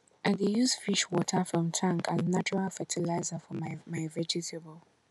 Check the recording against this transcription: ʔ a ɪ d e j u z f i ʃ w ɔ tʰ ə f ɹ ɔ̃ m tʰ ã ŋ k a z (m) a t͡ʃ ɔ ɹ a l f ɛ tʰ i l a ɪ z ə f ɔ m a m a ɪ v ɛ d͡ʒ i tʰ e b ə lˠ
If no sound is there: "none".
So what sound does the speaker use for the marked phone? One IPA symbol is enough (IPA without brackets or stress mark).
n